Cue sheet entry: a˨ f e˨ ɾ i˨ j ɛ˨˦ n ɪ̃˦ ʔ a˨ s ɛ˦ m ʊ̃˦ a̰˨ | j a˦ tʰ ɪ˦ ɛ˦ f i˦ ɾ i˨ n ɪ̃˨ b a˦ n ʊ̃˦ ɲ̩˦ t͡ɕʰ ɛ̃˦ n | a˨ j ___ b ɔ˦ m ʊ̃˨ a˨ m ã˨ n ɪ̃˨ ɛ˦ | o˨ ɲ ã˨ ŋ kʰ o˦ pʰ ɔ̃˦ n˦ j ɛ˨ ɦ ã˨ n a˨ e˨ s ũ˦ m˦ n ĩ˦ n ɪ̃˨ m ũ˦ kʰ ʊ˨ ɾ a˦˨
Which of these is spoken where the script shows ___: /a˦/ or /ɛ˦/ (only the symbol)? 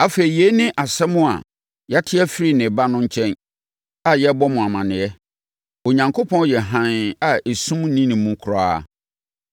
ɛ˦